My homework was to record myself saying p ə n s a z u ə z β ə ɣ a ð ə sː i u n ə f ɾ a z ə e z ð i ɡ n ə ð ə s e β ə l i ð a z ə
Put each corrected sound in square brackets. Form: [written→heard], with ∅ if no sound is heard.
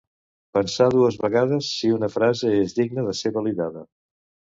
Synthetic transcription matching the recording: p ə n s a [z→ð] u ə z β ə ɣ a ð ə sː i u n ə f ɾ a z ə e z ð i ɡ n ə ð ə s e β ə l i ð a [z→ð] ə